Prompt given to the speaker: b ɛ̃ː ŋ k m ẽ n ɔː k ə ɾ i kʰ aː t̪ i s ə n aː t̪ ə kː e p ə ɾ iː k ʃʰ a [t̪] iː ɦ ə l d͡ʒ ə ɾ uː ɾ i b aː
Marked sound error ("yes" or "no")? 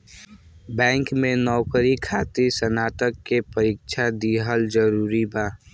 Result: yes